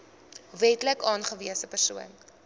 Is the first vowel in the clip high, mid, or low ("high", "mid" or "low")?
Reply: mid